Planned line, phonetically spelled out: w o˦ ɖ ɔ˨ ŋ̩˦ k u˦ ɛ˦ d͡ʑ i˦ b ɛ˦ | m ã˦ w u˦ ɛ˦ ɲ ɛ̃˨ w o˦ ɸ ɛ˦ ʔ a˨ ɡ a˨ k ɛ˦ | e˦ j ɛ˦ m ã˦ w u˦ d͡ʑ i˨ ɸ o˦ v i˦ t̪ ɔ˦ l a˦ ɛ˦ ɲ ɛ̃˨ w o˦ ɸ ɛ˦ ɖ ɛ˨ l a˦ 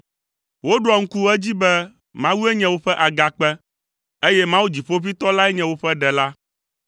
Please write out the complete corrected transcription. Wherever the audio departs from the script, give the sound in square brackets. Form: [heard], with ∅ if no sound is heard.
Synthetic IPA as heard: w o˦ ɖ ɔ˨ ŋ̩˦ k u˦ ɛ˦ d͡ʑ i˦ b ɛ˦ | m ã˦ w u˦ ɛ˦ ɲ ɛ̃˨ w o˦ ɸ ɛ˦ ʔ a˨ ɡ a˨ [k͡p] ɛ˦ | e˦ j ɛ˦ m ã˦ w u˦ d͡ʑ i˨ ɸ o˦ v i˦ t̪ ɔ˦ l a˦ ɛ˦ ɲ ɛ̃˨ w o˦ ɸ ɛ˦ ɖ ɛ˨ l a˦

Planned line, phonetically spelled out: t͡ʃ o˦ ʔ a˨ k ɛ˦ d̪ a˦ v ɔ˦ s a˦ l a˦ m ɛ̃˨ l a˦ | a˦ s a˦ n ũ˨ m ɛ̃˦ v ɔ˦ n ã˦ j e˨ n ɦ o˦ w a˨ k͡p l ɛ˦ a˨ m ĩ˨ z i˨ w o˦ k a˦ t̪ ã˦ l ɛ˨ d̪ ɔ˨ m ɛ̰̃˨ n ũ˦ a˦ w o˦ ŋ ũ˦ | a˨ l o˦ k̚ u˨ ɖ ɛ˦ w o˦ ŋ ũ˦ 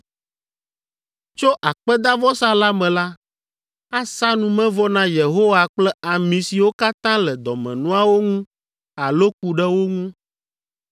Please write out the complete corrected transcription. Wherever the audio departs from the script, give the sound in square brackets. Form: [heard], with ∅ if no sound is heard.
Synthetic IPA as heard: t͡ʃ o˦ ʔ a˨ [k͡p] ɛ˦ d̪ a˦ v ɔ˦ s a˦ l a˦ m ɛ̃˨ l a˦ | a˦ s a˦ n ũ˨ m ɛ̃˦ v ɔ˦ n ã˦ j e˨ [∅] ɦ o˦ w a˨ k͡p l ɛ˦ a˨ m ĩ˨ [s] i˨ w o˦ k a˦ t̪ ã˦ l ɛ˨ d̪ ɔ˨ m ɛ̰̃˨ n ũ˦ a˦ w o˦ ŋ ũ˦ | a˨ l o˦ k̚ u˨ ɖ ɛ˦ w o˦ ŋ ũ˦

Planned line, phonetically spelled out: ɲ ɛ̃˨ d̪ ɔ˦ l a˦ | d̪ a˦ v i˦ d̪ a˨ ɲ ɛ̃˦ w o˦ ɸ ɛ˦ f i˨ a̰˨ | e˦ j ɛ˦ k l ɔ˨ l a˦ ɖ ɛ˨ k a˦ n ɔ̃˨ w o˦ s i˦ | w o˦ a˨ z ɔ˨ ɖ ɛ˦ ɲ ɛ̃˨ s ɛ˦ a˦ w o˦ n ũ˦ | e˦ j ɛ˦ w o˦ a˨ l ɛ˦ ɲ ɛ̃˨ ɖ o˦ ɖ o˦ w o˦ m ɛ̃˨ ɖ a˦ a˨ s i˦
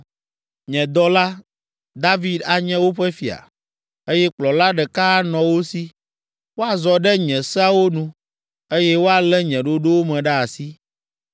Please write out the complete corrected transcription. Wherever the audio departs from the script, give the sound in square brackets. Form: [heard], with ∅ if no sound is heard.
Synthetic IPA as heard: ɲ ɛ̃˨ d̪ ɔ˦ l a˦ | d̪ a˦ v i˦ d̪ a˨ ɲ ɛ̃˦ w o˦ ɸ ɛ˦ f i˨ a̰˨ | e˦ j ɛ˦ [k͡p] l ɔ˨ l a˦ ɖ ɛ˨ k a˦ n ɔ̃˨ w o˦ s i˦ | w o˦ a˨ z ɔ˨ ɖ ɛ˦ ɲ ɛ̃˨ s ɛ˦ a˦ w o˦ n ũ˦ | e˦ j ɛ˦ w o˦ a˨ l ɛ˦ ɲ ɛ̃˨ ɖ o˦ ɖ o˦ w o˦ m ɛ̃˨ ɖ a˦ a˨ s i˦

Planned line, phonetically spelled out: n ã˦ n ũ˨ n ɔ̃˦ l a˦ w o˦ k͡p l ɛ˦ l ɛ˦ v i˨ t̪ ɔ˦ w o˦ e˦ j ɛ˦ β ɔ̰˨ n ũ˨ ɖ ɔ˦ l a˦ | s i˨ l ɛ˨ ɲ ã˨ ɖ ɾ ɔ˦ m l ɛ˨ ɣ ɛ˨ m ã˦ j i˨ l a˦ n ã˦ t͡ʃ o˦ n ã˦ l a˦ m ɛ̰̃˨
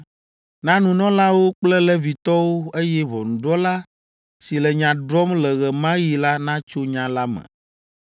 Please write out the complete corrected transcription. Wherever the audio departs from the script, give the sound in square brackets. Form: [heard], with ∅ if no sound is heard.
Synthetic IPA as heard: n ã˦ n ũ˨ n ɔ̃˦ l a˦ w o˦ k͡p l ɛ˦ l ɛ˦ v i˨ t̪ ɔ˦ w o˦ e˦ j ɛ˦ β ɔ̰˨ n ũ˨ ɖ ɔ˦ l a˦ | s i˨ l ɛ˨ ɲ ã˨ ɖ ɾ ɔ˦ m l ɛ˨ ɣ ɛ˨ m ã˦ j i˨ l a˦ n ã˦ t͡ʃ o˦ [ɲ] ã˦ l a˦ m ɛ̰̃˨

